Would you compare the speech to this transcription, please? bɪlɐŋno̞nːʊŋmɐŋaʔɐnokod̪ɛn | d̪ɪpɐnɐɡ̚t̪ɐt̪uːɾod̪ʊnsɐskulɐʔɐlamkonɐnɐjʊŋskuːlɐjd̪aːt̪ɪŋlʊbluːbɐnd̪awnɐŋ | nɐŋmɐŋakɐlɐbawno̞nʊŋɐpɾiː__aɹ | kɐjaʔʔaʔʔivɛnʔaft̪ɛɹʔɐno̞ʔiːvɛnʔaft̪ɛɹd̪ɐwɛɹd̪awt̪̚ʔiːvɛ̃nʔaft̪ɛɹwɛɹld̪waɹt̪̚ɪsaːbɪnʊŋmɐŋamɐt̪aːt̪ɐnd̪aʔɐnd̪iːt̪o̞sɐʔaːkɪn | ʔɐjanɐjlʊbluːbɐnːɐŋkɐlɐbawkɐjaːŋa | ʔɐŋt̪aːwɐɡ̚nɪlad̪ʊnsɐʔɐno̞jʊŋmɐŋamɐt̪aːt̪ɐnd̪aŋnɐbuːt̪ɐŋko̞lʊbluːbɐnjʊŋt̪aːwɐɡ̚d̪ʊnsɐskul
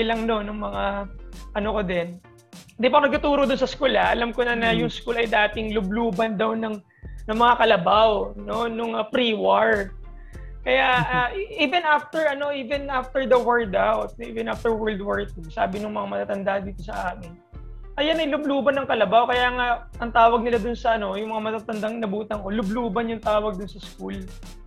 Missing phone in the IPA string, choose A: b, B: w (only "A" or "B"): B